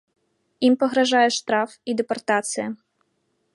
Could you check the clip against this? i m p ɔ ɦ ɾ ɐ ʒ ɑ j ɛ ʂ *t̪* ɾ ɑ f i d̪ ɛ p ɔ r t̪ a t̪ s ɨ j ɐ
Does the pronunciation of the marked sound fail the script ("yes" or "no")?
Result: no